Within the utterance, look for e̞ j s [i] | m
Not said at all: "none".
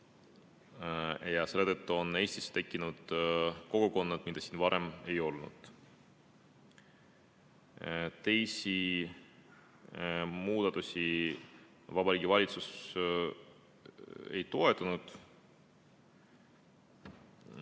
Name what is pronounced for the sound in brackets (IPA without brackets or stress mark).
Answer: i